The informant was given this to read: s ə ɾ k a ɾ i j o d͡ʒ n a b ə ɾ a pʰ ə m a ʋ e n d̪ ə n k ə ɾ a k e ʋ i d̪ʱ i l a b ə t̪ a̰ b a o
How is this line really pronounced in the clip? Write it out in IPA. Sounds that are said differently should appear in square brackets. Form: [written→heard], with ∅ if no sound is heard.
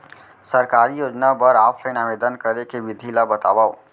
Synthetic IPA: s ə ɾ k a ɾ i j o d͡ʒ n a b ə ɾ a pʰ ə [m→n] a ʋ e [n→∅] d̪ ə n k ə ɾ [a→e] k e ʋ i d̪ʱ i l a b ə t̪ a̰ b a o